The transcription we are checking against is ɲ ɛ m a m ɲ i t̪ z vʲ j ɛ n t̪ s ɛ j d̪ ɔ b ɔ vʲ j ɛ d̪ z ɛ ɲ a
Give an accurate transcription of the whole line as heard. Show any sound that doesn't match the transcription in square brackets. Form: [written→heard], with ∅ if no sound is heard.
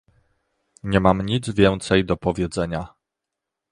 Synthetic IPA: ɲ ɛ m a m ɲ i [t̪→d̪] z vʲ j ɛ n t̪ s ɛ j d̪ ɔ [b→p] ɔ vʲ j ɛ d̪ z ɛ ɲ a